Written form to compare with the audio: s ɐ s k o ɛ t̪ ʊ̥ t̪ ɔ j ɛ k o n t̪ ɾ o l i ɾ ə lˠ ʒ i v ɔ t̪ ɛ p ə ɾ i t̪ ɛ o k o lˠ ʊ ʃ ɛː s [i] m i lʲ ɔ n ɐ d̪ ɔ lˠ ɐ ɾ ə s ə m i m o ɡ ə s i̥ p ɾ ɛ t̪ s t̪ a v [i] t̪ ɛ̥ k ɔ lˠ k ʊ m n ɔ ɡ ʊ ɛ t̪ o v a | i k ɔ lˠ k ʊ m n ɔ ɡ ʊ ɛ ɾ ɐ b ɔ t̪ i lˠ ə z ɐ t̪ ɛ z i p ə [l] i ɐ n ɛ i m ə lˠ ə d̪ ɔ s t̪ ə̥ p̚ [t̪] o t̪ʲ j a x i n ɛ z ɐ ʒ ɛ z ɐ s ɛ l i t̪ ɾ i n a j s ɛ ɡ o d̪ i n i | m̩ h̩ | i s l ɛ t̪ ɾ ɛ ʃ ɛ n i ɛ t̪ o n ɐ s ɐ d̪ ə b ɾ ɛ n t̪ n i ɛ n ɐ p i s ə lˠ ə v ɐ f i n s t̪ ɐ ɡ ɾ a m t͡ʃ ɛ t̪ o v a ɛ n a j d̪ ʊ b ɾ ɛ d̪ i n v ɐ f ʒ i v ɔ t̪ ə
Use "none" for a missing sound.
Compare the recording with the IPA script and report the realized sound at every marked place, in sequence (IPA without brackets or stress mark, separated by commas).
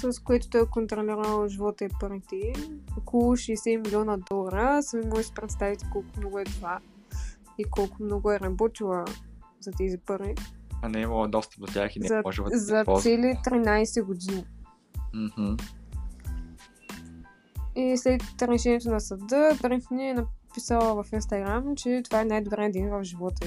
ɛ, i, ɾ, d̪